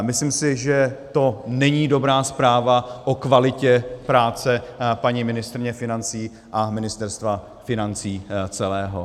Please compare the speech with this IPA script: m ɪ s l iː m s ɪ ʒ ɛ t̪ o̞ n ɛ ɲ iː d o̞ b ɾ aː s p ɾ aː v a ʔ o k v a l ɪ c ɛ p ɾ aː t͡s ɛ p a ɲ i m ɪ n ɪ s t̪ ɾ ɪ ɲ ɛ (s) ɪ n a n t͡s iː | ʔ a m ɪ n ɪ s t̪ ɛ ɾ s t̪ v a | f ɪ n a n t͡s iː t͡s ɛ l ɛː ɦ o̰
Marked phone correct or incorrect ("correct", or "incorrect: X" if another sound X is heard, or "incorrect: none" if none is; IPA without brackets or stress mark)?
incorrect: f